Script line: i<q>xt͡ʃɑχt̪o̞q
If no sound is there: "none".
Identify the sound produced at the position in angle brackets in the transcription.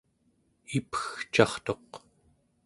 p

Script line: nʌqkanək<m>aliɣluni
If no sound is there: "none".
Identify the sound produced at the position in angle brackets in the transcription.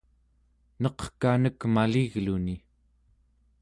m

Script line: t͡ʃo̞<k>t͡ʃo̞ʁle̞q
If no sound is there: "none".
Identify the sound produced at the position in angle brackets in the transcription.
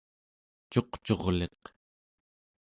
q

